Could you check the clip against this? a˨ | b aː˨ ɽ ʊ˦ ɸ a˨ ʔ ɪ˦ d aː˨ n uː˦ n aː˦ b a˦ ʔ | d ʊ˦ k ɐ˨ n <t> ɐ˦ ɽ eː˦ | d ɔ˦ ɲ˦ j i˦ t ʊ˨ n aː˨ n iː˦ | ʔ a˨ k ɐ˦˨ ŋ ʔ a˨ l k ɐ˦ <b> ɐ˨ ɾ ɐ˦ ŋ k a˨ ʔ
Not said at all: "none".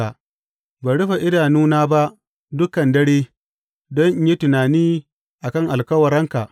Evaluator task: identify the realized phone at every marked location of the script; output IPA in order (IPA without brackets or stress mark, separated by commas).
d, w